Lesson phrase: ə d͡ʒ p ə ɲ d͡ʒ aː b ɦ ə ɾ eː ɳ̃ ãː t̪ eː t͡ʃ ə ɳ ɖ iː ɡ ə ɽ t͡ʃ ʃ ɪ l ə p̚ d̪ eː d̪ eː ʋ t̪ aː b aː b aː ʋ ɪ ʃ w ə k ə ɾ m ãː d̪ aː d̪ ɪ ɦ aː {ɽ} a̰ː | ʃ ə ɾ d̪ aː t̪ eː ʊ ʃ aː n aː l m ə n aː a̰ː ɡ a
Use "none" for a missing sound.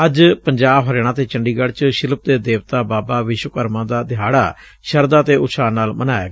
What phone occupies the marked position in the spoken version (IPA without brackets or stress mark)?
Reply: ɽ